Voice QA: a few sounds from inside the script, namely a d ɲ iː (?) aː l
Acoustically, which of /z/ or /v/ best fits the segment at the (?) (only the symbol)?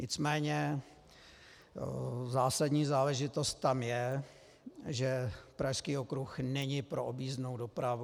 z